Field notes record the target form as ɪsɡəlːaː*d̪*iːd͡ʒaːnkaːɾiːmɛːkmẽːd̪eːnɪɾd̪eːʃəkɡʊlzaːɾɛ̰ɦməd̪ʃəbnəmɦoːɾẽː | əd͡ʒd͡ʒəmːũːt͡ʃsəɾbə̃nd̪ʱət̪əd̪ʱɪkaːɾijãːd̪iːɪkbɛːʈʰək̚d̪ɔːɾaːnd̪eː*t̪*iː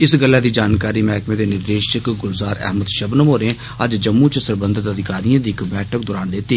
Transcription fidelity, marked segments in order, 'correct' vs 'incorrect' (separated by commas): correct, correct